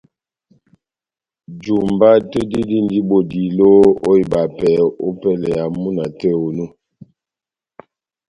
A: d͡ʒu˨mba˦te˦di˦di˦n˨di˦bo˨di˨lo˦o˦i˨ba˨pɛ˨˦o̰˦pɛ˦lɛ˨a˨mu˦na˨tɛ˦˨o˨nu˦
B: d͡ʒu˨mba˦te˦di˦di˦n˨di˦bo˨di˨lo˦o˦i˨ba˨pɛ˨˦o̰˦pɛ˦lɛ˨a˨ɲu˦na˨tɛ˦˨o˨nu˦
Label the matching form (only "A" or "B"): A